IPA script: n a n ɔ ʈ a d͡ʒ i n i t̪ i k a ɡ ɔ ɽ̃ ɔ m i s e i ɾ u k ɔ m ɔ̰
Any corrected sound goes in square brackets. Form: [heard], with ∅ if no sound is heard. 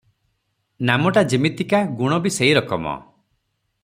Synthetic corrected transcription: n a [m] ɔ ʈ a d͡ʒ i [m] i t̪ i k a ɡ [u] ɽ̃ ɔ [b] i s e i ɾ [ɔ] k ɔ m ɔ̰